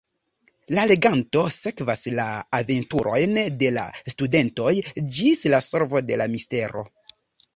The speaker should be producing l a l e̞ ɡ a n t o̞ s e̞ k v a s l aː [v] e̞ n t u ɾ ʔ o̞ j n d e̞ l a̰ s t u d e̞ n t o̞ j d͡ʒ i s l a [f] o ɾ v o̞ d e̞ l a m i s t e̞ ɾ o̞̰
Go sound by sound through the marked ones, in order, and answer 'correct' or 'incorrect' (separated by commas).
correct, incorrect